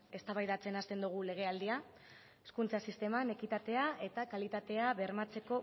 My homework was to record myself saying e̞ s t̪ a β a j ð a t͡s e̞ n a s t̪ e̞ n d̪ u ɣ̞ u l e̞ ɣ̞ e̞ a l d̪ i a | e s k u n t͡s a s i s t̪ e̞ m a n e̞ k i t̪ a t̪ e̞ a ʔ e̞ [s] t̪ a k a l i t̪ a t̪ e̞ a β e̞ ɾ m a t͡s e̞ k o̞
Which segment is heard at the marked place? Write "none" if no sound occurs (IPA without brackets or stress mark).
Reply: none